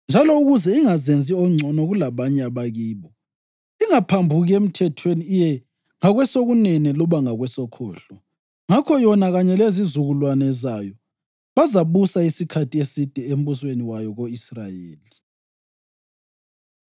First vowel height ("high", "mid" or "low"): low